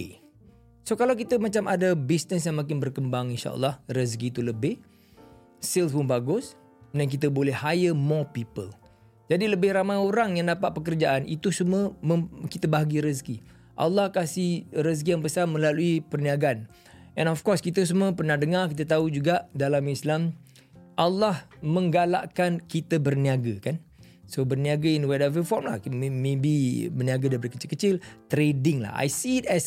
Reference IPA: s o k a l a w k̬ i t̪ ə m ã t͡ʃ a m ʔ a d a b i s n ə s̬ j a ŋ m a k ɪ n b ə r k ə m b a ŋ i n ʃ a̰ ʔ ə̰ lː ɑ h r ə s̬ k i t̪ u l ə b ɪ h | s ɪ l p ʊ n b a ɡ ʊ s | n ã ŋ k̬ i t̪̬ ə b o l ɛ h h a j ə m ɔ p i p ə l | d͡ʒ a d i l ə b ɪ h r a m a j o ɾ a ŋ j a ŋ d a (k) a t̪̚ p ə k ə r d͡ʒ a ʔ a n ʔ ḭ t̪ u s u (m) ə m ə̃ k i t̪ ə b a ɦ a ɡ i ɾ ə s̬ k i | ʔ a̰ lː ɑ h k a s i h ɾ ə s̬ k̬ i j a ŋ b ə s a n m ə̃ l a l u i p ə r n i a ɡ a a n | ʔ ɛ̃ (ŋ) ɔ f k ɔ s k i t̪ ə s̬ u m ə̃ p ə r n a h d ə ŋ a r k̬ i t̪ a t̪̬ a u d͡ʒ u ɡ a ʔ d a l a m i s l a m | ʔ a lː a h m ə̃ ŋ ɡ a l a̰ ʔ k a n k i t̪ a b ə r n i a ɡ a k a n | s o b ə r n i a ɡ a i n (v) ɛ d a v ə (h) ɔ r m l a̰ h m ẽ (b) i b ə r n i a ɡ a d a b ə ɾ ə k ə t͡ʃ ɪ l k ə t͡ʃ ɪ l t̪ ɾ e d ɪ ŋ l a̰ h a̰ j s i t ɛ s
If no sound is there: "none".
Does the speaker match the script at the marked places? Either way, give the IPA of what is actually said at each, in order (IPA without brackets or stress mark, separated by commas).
p, m, n, w, f, b